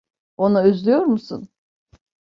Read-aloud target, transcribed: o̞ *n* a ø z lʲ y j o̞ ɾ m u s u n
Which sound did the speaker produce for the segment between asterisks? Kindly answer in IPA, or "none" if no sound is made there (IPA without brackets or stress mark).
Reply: n